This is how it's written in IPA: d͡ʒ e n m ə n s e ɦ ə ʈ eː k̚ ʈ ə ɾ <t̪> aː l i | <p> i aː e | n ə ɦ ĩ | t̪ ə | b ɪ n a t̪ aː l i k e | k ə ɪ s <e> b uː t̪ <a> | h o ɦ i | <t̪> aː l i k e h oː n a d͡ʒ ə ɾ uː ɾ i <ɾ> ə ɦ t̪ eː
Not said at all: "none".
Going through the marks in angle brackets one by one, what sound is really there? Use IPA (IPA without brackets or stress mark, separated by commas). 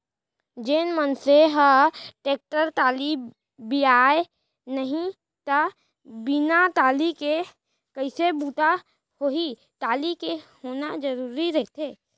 t̪, b, e, a, t̪, ɾ